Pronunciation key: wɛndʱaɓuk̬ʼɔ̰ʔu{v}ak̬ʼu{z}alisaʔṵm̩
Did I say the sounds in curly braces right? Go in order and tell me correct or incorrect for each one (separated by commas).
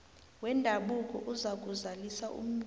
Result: incorrect, correct